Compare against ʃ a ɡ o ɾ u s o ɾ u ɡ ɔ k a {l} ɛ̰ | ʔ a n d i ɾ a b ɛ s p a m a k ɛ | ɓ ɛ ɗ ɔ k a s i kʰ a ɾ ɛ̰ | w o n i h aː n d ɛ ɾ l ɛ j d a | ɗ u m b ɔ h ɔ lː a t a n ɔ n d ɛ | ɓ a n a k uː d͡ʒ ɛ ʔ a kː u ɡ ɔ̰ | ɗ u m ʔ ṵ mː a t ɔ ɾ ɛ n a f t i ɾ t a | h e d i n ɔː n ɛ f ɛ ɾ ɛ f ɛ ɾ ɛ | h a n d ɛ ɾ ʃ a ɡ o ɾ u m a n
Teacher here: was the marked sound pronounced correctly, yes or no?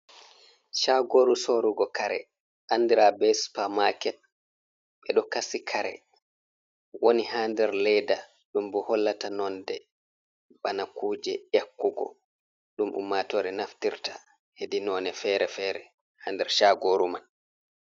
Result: no